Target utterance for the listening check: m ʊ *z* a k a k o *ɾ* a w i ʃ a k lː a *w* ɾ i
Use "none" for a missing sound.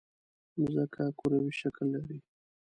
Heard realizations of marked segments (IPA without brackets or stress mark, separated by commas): z, ɾ, none